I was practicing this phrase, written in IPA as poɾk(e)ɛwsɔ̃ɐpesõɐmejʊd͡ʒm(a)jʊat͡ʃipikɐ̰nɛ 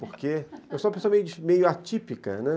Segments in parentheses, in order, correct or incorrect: correct, incorrect

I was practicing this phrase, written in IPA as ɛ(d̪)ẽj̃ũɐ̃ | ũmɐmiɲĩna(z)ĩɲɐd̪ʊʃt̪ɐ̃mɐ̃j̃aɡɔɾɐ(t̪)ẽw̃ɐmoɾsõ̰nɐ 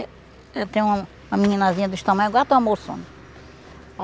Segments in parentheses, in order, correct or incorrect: incorrect, correct, correct

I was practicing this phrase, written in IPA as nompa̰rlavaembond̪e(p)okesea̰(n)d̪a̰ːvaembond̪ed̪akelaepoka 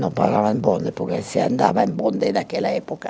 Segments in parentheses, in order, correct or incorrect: correct, correct

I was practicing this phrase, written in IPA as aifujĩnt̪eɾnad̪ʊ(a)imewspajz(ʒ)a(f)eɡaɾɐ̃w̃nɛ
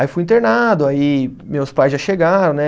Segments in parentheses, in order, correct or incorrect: correct, correct, incorrect

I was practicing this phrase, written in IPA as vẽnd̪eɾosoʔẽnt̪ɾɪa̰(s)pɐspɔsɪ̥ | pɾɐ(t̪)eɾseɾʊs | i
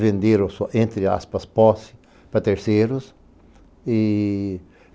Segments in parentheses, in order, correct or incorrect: correct, correct

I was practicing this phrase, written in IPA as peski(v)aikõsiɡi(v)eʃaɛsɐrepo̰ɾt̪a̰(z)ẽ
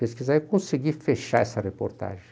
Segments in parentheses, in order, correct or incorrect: incorrect, incorrect, incorrect

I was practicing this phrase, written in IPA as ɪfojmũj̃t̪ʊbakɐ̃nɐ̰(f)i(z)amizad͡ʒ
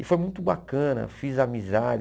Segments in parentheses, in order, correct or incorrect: correct, correct

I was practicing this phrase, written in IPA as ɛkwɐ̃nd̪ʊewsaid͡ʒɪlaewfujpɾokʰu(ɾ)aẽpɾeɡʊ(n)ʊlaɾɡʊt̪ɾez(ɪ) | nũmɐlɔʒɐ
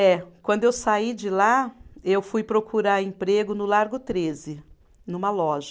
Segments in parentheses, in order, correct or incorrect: correct, correct, correct

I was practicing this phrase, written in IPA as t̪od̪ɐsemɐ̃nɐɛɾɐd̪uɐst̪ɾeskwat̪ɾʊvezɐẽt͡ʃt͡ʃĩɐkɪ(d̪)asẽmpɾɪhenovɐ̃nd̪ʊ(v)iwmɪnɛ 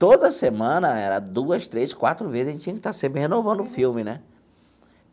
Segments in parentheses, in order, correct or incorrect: incorrect, incorrect

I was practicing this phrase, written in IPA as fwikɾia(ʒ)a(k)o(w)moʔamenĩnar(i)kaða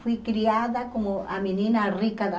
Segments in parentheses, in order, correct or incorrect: incorrect, correct, incorrect, correct

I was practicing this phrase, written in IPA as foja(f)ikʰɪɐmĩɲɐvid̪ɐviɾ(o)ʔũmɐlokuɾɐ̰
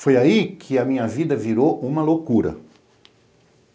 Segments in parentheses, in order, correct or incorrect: incorrect, correct

